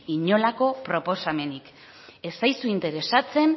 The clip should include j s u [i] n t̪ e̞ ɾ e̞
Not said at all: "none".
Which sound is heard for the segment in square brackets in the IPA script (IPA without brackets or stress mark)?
i